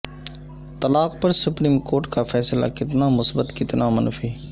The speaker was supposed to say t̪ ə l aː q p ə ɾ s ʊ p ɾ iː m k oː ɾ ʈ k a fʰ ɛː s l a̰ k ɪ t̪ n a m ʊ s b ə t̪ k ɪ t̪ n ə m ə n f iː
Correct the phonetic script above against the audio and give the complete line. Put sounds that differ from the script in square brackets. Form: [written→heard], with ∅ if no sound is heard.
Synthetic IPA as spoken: t̪ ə l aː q p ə ɾ s ʊ p ɾ iː m k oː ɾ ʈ k a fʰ ɛː s l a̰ k ɪ t̪ n a m ʊ s b ə t̪ k ɪ t̪ n [ə→a] m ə n f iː